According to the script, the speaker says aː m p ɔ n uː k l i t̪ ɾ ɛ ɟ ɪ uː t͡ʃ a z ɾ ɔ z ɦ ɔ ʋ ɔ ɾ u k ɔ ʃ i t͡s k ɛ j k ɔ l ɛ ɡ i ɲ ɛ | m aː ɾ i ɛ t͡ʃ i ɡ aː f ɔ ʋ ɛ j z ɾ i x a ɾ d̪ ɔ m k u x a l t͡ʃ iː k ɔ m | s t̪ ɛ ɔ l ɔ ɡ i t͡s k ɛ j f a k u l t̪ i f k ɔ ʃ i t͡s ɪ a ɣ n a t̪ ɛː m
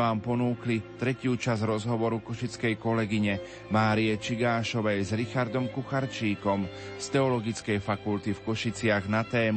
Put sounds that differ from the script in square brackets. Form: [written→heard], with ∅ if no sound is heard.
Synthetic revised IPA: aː m p ɔ n uː k l i t̪ ɾ ɛ [ɟ→c] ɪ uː t͡ʃ a z ɾ ɔ z ɦ ɔ ʋ ɔ ɾ u k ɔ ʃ i t͡s k ɛ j k ɔ l ɛ ɡ i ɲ ɛ | m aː ɾ i ɛ t͡ʃ i ɡ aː [f→ʃ] ɔ ʋ ɛ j z ɾ i x a ɾ d̪ ɔ m k u x a [l→ɾ] t͡ʃ iː k ɔ m | s t̪ ɛ ɔ l ɔ ɡ i t͡s k ɛ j f a k u l t̪ i f k ɔ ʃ i t͡s ɪ a ɣ n a t̪ ɛː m